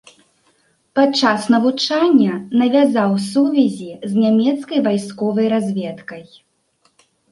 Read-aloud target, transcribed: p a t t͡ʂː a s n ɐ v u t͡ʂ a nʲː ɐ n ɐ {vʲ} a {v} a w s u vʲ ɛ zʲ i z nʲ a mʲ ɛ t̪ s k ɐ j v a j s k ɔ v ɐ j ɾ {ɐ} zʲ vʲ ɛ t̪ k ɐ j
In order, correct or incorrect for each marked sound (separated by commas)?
correct, incorrect, incorrect